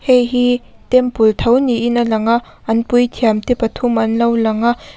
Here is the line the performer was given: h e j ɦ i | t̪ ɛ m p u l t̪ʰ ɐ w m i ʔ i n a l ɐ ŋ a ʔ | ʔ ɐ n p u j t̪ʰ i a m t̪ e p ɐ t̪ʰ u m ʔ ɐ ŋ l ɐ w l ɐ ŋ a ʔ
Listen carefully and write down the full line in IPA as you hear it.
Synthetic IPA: h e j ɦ i | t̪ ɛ m p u l t̪ʰ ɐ w n i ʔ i n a l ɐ ŋ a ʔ | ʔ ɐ n p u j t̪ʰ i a m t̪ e p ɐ t̪ʰ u m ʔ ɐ n l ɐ w l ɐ ŋ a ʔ